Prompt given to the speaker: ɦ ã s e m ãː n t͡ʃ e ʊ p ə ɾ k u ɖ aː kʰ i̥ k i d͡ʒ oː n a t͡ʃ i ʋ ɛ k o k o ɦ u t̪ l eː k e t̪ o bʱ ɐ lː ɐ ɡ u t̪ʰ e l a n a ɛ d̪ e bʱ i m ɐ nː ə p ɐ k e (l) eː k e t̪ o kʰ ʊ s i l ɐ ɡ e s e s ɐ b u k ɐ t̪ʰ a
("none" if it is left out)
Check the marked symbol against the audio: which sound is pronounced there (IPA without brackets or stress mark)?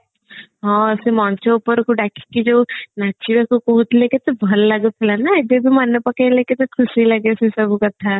l